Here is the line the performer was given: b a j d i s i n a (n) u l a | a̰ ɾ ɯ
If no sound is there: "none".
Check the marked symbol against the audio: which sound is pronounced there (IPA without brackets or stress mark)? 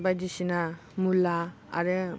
m